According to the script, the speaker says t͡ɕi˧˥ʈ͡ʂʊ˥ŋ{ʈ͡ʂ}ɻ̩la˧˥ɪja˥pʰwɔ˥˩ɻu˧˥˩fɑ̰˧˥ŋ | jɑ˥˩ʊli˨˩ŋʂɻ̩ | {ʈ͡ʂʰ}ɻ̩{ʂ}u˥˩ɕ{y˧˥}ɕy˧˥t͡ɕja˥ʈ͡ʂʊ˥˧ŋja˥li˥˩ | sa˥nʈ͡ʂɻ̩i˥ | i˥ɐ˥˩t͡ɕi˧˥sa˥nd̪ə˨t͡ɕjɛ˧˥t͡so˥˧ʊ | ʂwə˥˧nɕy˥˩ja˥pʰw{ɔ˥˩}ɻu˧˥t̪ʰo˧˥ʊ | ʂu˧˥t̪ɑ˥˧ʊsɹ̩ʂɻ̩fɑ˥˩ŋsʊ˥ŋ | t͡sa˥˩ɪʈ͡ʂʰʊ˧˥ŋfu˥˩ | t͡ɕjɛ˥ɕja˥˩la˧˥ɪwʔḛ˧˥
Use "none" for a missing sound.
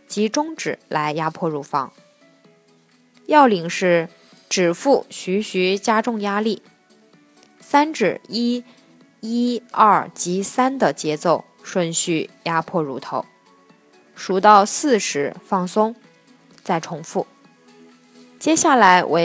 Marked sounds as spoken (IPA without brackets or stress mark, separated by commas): ʈ͡ʂ, ʈ͡ʂ, f, y˧˥, ɔ˥˩